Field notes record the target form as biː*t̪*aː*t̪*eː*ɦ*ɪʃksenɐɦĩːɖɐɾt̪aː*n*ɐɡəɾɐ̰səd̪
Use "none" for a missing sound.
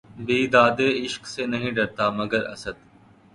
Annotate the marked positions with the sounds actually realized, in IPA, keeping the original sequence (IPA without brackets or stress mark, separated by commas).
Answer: d̪, d̪, none, m